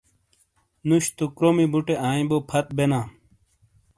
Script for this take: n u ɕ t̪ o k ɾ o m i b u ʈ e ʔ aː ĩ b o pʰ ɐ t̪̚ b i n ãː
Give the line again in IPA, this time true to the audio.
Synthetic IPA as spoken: n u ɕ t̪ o k ɾ o m i b u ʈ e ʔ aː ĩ b o pʰ ɐ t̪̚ b e n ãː